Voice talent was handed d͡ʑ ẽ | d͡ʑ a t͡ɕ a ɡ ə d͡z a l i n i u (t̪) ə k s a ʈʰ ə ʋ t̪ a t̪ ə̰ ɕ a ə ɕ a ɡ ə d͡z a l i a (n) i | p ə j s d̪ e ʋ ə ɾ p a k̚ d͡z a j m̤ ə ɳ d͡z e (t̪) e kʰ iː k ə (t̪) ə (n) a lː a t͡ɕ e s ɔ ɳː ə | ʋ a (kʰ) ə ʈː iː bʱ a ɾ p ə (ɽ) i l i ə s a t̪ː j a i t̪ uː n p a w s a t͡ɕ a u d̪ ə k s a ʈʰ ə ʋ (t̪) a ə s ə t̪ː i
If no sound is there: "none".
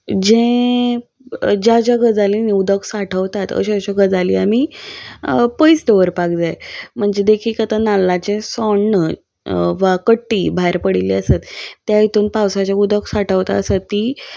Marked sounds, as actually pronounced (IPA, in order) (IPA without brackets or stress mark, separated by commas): d̪, m, d̪, t̪, n, k, ɽ, t̪